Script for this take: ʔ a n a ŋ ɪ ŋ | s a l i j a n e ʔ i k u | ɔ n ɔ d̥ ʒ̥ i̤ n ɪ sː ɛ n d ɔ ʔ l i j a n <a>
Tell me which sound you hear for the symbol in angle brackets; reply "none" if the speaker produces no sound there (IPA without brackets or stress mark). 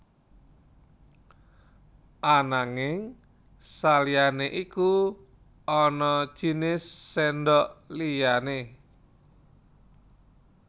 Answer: e